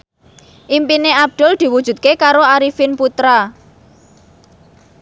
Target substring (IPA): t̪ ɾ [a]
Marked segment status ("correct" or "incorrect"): correct